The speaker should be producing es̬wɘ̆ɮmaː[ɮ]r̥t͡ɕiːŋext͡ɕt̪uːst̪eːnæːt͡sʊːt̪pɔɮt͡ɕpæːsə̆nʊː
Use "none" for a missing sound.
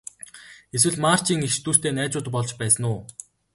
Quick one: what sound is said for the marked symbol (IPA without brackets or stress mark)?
none